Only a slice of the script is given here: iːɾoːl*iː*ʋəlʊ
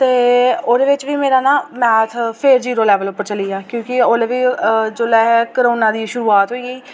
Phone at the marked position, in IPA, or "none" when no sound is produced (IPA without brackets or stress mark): ɛː